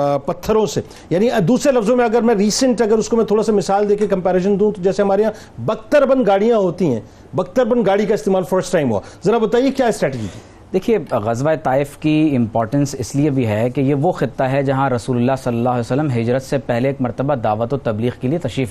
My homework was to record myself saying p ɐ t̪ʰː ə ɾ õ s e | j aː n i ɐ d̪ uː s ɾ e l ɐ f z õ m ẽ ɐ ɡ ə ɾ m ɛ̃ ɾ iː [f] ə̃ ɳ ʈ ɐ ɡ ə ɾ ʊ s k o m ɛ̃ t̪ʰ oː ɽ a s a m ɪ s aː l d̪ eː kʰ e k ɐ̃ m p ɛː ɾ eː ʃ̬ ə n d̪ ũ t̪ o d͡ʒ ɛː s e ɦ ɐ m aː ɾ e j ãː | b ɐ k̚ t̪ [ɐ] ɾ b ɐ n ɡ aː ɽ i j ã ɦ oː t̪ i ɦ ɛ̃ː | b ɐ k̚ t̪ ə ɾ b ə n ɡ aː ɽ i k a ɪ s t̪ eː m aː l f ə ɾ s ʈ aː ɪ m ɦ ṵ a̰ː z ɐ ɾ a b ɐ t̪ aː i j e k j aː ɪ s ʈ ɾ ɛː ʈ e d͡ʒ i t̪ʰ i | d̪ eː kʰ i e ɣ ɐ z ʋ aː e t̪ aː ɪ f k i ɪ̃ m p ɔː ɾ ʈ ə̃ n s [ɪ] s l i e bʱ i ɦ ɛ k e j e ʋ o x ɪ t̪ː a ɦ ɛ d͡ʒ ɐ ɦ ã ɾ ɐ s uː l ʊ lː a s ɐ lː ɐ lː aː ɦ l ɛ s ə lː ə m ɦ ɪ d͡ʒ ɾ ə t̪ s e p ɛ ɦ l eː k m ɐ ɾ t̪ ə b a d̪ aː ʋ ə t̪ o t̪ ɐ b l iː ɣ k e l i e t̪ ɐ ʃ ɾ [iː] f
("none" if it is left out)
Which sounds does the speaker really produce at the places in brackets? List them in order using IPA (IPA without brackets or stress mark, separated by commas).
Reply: s, ə, ɪ, iː